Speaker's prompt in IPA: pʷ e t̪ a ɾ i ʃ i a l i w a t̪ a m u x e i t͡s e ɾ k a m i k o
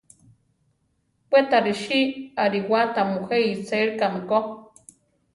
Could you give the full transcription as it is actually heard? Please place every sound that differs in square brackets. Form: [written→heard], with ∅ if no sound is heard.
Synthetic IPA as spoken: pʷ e t̪ a ɾ i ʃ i a [l→ɾ] i w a t̪ a m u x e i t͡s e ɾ k a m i k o

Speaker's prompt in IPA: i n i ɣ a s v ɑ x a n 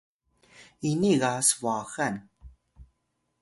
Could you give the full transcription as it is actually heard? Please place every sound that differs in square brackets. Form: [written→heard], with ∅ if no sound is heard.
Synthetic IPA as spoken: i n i ɣ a s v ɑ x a n

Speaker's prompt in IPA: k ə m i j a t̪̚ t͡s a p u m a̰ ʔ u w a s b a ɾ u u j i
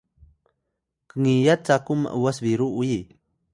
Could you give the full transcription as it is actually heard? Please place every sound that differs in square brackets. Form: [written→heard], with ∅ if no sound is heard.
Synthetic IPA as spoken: k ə [m→ŋ] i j a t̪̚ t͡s a [p→k] u m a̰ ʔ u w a s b [a→i] ɾ u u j i

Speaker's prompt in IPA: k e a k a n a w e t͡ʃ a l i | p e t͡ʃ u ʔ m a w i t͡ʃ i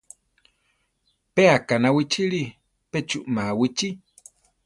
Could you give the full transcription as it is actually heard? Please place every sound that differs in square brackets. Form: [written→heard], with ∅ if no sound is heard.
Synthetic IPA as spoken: [k→p] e a k a n a w [e→i] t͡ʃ [a→i] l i | p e t͡ʃ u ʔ m a w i t͡ʃ i

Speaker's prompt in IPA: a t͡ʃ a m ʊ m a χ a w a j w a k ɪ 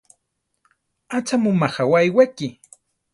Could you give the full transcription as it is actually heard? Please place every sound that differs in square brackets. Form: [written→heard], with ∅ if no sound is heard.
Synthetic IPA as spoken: a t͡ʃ a m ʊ m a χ a w a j w a k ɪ

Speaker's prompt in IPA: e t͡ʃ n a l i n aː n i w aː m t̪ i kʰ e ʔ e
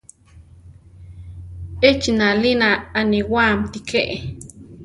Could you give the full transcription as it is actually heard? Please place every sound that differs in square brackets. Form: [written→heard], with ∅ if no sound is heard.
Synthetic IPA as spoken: e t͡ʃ n a l i n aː n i w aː m t̪ i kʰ e ʔ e

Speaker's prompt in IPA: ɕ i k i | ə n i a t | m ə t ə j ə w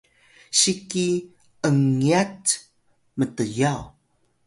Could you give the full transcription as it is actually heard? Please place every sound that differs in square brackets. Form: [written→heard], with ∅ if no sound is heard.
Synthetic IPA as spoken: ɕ i k i | ə [n→ŋ] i a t | m ə t ə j [ə→a] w

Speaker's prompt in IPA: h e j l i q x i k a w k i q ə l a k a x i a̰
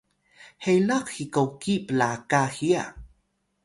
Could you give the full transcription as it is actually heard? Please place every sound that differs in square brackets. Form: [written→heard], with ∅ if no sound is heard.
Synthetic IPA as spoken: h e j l [i→a] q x i k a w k i [q→p] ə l a k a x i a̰

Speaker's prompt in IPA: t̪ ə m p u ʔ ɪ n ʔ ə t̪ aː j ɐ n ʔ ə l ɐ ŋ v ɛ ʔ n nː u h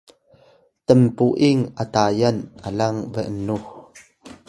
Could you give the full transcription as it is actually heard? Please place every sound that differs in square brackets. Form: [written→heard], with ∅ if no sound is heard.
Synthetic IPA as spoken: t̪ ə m p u ʔ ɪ [n→ŋ] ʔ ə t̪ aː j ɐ n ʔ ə l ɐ ŋ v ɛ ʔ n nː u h

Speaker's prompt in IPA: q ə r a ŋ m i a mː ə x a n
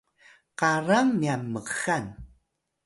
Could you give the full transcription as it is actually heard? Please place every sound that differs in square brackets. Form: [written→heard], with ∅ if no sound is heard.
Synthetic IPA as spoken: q [ə→a] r a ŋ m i a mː ə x a n

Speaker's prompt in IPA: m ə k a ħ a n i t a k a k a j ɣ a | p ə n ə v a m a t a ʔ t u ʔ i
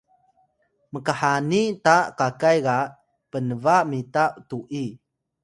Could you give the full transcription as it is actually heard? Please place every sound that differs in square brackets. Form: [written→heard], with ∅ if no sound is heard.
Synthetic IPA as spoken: m ə k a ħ a n i t a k a k a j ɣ a | p ə n ə v a m [a→i] t a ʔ t u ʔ i

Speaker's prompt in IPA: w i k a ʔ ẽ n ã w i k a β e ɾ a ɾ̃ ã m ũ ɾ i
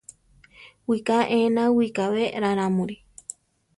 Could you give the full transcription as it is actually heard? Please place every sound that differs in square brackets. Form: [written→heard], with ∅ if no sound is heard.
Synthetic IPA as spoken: w i k a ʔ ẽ n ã w i k a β e ɾ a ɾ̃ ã m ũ ɾ i

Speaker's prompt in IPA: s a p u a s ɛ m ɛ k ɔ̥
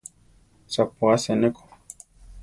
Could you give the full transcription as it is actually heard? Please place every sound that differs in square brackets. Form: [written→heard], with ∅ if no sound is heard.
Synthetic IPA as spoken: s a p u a s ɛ [m→n] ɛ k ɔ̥

